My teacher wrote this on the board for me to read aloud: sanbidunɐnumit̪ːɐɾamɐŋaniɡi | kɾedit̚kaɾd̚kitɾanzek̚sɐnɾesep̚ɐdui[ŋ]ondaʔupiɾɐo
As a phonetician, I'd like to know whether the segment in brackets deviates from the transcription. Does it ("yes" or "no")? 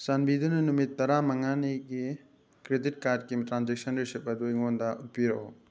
no